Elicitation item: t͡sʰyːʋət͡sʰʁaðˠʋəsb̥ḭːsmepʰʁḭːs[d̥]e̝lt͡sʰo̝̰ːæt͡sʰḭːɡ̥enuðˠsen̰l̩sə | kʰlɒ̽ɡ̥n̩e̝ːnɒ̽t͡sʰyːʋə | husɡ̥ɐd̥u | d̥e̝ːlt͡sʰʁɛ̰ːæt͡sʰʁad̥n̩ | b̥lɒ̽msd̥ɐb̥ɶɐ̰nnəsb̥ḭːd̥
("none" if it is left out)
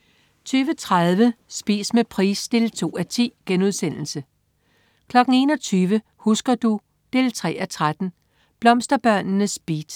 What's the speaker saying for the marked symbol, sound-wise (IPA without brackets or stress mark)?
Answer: d̥